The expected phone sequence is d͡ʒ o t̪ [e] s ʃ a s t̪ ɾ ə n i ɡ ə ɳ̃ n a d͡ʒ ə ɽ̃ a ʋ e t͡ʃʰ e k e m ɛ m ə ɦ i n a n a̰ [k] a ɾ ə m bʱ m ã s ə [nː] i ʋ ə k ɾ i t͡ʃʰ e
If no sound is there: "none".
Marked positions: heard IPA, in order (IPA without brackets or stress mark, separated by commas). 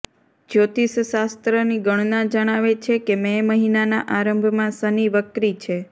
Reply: i, ʔ, n